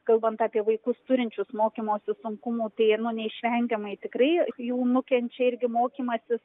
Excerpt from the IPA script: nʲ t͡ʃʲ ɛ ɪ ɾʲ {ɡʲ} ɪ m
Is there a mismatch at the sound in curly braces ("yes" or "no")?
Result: no